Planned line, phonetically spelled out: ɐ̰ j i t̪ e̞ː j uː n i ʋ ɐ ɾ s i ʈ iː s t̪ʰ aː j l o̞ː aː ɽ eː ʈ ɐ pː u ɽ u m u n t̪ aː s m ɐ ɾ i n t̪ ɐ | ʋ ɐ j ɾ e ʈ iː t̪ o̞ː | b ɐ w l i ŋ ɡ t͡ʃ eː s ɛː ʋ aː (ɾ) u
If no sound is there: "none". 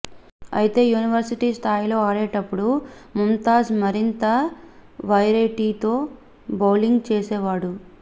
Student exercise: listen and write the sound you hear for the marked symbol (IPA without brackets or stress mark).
ɽ